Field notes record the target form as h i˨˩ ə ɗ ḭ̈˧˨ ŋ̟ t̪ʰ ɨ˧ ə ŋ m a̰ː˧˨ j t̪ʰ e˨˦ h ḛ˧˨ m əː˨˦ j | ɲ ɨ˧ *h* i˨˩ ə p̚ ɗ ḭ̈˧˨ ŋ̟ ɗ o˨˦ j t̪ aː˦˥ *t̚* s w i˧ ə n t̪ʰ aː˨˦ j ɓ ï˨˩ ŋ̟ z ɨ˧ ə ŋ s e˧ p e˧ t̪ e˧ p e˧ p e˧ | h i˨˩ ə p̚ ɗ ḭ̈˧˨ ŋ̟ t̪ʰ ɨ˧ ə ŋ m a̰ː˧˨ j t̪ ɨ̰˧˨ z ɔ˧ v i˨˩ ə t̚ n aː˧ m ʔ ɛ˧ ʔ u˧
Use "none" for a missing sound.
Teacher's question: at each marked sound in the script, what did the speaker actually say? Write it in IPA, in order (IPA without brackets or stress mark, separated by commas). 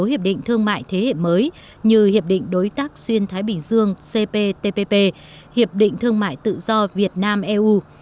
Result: h, k̚